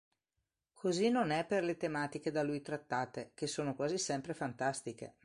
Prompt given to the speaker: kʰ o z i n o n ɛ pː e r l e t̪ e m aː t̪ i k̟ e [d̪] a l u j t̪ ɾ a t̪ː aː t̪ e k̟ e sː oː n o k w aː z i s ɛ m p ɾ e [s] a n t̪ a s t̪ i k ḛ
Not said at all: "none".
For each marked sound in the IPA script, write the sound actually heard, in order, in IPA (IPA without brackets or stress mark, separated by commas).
d̪, f